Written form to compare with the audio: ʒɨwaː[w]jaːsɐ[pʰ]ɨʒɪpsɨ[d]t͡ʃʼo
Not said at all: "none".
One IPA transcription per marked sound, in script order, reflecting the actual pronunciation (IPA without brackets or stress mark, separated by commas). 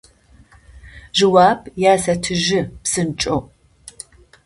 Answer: b, tʰ, n